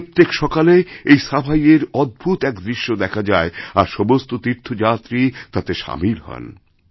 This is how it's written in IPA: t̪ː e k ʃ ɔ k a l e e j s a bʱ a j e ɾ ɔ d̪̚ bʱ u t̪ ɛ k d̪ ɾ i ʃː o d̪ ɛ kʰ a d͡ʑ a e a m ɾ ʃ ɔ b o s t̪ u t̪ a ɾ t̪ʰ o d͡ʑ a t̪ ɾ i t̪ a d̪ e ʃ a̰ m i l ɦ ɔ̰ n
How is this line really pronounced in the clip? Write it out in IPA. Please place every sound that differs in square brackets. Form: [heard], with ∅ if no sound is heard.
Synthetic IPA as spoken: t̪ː e k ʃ ɔ k a l e e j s a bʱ a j e ɾ ɔ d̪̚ bʱ u t̪ ɛ k d̪ ɾ i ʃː o d̪ ɛ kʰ a d͡ʑ a e a [∅] ɾ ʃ ɔ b o s t̪ [o] t̪ [i] ɾ t̪ʰ o d͡ʑ a t̪ ɾ i t̪ a [t̪] e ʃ a̰ m i l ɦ ɔ̰ n